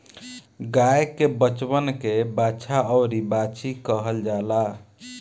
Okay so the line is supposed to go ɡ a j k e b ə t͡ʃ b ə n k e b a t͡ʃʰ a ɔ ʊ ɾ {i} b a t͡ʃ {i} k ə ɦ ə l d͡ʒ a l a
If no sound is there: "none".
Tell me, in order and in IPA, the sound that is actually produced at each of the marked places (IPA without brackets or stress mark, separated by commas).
i, i